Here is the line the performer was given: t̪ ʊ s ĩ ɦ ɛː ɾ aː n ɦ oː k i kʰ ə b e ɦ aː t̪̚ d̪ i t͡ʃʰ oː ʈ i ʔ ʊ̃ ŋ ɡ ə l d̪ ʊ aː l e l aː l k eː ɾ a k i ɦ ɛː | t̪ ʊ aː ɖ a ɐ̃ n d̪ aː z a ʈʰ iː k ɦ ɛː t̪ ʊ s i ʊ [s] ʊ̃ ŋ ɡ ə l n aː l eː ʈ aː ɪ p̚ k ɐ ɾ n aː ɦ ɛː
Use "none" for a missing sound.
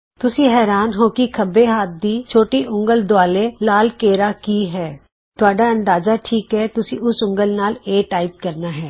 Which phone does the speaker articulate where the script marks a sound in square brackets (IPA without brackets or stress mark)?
s